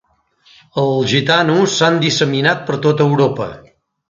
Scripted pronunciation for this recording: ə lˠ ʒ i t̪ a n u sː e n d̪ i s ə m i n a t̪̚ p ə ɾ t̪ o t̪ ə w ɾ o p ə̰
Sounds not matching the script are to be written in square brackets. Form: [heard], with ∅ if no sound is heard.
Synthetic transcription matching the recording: ə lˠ ʒ i t̪ a n u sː [a] n d̪ i s ə m i n a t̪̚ p ə ɾ t̪ o t̪ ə w ɾ o p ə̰